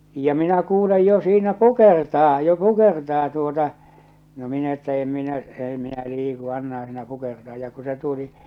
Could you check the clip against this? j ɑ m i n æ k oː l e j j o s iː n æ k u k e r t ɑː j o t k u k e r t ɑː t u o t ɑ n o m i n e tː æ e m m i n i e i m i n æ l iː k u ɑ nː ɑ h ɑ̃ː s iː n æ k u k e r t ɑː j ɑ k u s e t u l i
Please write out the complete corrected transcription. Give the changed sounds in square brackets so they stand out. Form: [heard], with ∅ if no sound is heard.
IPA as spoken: j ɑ m i n æ k [uː] l e j j o s iː n æ k u k e r t ɑː j o [∅] k u k e r t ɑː t u o t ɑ n o m i n e tː æ e m m i n [æ] e i m i n æ l iː k u ɑ nː ɑ h ɑ̃ː s iː n æ k u k e r t ɑː j ɑ k u s e t u l i

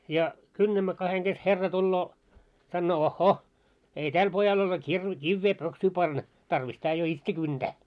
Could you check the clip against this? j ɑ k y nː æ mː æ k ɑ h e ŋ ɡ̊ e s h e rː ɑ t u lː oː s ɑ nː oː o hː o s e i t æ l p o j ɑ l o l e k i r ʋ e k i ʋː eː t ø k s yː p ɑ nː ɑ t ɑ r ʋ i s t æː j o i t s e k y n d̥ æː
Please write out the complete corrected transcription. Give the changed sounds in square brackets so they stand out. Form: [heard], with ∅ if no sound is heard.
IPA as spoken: j ɑ k y nː æ mː æ k ɑ h e ŋ ɡ̊ e s h e rː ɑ t u lː oː s ɑ nː oː o hː o [h] e i t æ l p o j ɑ l o l e k i r ʋ e k i ʋː eː [p] ø k s yː p ɑ nː ɑ t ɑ r ʋ i s t æː j o i t s e k y n d̥ æː

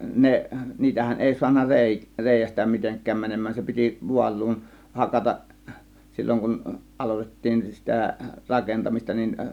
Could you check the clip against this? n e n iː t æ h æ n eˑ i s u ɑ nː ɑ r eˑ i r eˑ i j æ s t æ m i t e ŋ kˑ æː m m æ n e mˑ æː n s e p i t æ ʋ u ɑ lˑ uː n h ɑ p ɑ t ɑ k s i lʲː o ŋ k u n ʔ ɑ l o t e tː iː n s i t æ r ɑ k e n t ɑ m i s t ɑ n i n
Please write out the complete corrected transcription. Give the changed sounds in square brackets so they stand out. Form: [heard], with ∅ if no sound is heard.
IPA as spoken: n e n iː t æ h æ n eˑ i s u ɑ nː ɑ r eˑ i r eˑ i j æ s t æ m i t e ŋ kˑ æː m m æ n e mˑ æː n s e p i t [i] ʋ u ɑ lˑ uː n h ɑ [k] ɑ t ɑ [ʔ] s i lʲː o ŋ k u n ʔ ɑ l o t e tː iː n s i t æ r ɑ k e n t ɑ m i s t ɑ n i n

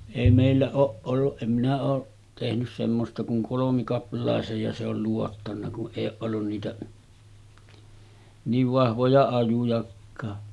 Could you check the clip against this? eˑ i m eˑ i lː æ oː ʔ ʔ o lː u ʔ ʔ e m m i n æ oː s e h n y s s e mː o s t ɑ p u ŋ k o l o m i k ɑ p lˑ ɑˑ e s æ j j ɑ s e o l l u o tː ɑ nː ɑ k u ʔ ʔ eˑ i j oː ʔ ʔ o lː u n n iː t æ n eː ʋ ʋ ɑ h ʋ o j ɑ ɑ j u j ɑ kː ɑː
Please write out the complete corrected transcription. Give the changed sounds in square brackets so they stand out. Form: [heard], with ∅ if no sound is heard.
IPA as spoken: eˑ i m eˑ i lː æ oː ʔ ʔ o lː u ʔ ʔ e m m i n æ oː [t] e h n y s s e mː o s t ɑ [k] u ŋ k o l o m i k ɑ p lˑ ɑˑ e s [e] j j ɑ s e o l l u o tː ɑ nː ɑ k u ʔ ʔ eˑ i j oː ʔ ʔ o lː u n n iː t æ n [iː] ʋ ʋ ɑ h ʋ o j ɑ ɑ j u j ɑ kː ɑː

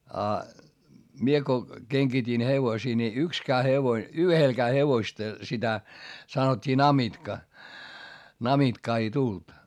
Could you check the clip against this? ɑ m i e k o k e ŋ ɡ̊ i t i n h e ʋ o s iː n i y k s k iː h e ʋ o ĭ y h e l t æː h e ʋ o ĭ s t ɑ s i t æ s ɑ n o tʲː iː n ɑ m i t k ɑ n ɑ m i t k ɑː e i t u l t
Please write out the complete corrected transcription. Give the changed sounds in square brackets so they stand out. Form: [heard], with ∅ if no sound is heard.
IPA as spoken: ɑ m i e k o k e ŋ ɡ̊ i t i n h e ʋ o s iː n i y k s k [æː] h e ʋ o ĭ y h e l [k] æː h e ʋ o ĭ s t ɑ s i t æ s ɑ n o tʲː iː n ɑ m i t k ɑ n ɑ m i t k ɑː e i t u l t

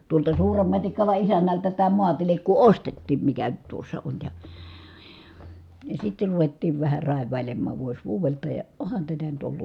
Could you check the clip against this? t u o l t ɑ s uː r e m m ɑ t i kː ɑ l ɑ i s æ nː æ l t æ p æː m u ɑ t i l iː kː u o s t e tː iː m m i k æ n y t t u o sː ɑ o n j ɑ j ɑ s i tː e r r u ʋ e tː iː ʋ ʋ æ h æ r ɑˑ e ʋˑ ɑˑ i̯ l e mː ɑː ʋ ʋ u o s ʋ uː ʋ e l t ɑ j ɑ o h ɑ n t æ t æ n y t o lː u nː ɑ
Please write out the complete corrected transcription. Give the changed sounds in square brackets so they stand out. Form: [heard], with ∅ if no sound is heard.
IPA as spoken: t u o l t ɑ s uː r e m m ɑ t i kː ɑ l ɑ i s æ nː æ l t æ [t] æː m u ɑ t i l [i] kː u o s t e tː iː m m i k æ n y t t u o sː ɑ o n j ɑ j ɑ s i tː e r r u ʋ e tː iː ʋ ʋ æ h æ r ɑˑ e ʋˑ ɑˑ i̯ l e mː ɑː ʋ ʋ u o s ʋ uː ʋ e l t ɑ j ɑ o h ɑ n t æ t æ n y t o lː u nː ɑ

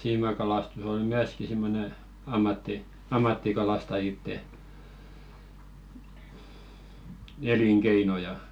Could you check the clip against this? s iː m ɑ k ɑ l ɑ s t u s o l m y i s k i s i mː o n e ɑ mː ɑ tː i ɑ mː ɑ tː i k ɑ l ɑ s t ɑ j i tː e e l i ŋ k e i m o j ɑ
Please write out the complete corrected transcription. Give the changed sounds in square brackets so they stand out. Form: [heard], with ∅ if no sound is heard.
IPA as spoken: s iː m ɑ k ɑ l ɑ s t u s o l m y [æ] s k i s i mː o n e ɑ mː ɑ tː i ɑ mː ɑ tː i k ɑ l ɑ s t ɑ j i tː e e l i ŋ k e i [n] o j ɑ

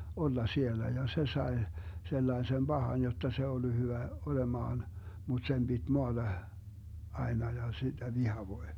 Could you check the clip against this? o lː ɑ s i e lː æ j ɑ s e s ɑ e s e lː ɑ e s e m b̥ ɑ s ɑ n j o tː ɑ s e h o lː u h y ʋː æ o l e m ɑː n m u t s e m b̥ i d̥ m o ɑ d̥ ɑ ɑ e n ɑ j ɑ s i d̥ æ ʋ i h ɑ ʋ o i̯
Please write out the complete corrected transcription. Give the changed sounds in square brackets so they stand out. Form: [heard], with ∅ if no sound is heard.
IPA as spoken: o lː ɑ s i e lː æ j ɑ s e s ɑ e s e lː ɑ e s e m b̥ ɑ [h] ɑ n j o tː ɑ s e [∅] o lː u h y [ʋ] æ o l e m ɑː n m u t s e m b̥ i d̥ m o ɑ d̥ ɑ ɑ e n ɑ j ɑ s i d̥ æ ʋ i h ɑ ʋ o i̯

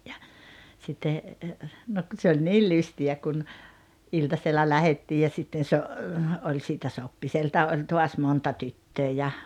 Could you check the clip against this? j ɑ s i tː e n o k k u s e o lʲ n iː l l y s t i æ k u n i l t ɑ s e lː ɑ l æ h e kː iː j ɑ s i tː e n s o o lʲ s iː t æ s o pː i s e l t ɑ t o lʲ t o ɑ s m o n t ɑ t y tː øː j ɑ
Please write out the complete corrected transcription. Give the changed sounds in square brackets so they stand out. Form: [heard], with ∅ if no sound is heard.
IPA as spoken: j ɑ s i tː e n o k k u s e o lʲ n iː l l y s t i æ k u n i l t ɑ s e lː ɑ l æ h e [tː] iː j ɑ s i tː e n s o o lʲ s iː t æ s o pː i s e l t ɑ [ʔ] o lʲ t o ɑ s m o n t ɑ t y tː øː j ɑ

